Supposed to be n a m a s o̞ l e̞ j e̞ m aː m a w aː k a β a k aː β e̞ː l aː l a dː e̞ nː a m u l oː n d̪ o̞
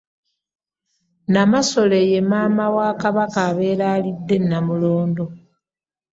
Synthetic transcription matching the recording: n a m a s o̞ l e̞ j e̞ m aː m a w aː k a β a k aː β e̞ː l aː l i dː e̞ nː a m u l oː n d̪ o̞